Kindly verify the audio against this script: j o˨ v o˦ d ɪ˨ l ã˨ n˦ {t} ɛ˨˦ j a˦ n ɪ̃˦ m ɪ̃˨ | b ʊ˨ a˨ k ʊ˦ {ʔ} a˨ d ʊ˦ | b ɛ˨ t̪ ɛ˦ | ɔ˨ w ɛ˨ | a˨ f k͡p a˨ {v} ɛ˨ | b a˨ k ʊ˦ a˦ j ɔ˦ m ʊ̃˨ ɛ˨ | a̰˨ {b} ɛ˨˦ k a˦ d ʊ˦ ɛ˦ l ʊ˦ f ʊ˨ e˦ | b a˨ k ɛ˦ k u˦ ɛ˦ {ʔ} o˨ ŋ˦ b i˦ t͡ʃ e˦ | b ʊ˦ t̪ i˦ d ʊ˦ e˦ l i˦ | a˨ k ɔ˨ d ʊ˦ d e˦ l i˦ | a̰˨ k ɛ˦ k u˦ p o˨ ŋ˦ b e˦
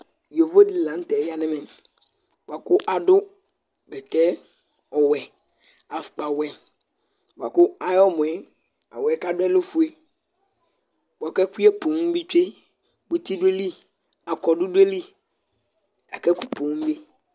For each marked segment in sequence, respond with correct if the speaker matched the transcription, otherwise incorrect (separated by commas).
correct, correct, incorrect, incorrect, incorrect